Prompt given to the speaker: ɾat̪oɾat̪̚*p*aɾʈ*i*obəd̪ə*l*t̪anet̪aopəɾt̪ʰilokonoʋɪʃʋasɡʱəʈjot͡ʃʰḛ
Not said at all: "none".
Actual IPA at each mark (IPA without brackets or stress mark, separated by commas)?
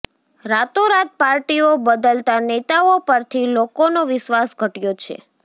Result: p, i, l